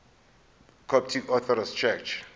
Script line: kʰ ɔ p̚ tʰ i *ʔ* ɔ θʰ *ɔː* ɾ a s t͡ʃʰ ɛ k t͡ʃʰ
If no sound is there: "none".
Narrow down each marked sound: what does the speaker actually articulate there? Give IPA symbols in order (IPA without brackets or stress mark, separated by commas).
k, ɔ